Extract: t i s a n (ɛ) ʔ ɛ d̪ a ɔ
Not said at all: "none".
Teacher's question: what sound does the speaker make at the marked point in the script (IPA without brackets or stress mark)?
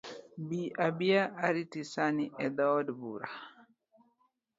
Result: i